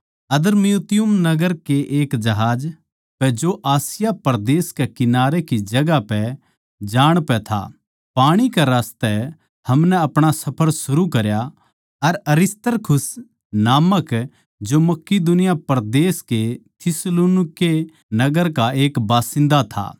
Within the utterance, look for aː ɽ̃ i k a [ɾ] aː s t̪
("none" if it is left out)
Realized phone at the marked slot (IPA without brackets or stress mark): ɾ